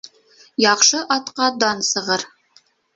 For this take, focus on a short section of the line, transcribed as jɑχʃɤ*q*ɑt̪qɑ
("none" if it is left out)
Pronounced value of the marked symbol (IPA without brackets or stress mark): ʔ